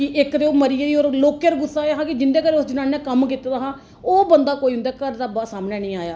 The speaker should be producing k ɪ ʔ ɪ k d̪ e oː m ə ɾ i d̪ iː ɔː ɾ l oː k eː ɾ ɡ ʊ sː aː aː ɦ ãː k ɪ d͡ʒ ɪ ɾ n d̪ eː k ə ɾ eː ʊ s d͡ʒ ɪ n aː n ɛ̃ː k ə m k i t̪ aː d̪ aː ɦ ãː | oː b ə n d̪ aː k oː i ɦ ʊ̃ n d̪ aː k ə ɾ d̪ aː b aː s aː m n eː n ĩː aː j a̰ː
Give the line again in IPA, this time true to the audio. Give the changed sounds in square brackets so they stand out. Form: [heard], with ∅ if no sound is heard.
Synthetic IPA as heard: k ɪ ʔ ɪ k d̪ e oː m ə ɾ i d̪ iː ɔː ɾ l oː k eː ɾ ɡ ʊ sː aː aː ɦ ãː k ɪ d͡ʒ ɪ [∅] n d̪ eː k ə ɾ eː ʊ s d͡ʒ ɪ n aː n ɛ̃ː k ə m k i t̪ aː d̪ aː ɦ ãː | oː b ə n d̪ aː k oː i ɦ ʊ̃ n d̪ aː k ə ɾ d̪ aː b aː s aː m n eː n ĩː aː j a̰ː